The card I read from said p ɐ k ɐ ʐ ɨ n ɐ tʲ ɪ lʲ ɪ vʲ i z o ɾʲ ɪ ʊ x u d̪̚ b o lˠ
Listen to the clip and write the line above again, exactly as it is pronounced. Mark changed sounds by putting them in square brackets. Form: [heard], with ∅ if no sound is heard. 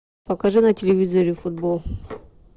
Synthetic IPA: p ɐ k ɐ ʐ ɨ n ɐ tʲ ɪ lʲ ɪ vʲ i z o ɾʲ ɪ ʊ [f] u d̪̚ b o lˠ